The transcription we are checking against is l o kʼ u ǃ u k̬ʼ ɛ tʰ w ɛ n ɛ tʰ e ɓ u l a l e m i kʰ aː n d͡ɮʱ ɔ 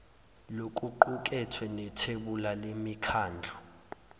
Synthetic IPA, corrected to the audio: l o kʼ u ǃ u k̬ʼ ɛ tʰ w ɛ n ɛ tʰ e ɓ u l a l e m i kʰ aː n d͡ɮʱ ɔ